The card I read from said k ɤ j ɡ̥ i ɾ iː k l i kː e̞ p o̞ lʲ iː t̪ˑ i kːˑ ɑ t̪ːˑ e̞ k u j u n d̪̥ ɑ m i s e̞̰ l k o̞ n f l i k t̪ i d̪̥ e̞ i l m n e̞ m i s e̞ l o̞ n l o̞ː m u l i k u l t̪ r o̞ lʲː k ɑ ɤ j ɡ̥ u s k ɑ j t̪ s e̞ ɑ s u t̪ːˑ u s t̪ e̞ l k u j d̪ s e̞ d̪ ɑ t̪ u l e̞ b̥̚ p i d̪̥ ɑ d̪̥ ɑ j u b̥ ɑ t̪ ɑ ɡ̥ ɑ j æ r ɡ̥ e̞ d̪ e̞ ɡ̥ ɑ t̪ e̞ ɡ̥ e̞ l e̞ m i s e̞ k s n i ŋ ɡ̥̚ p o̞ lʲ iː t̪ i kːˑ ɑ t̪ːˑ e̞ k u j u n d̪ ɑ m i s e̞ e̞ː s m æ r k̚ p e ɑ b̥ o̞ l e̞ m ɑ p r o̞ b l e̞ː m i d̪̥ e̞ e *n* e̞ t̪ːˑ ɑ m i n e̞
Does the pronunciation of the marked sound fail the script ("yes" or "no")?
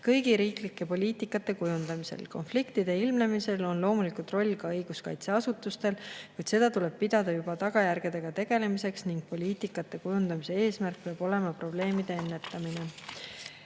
yes